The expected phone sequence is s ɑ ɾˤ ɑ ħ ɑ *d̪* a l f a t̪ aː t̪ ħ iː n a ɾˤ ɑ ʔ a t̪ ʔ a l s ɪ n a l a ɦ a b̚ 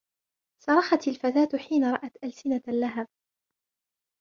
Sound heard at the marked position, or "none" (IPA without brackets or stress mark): t̪